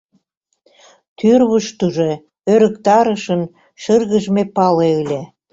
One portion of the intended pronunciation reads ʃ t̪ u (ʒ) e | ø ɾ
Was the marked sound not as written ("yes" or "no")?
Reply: no